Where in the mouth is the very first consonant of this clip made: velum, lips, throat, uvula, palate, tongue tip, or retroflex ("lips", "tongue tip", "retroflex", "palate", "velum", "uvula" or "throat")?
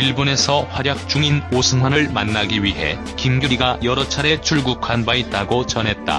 retroflex